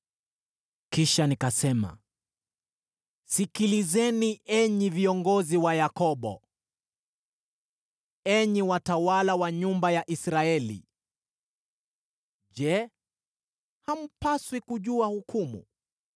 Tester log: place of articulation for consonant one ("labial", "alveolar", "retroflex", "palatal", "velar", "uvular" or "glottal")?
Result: velar